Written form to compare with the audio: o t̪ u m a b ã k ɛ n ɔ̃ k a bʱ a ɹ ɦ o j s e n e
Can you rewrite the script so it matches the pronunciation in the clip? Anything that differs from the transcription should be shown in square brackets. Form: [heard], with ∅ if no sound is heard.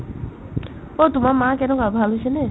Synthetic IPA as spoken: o t̪ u m a [m] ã k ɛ n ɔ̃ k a bʱ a [l] ɦ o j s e n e